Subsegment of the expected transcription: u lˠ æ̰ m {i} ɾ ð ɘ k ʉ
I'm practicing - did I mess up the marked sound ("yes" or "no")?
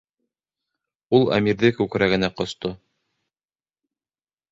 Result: no